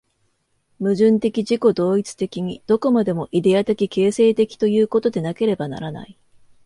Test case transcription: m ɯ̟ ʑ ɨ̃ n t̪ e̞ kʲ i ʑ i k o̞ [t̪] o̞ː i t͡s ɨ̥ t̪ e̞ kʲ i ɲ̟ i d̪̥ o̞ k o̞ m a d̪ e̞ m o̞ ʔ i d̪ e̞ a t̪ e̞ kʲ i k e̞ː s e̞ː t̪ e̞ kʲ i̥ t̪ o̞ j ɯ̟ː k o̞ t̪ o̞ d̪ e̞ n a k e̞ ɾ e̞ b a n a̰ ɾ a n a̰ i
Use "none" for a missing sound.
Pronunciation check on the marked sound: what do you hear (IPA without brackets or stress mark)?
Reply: d̪